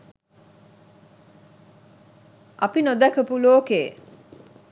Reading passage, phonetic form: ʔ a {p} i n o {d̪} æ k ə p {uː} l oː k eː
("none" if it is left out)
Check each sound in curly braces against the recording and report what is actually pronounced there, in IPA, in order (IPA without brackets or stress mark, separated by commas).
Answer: p, d̪, u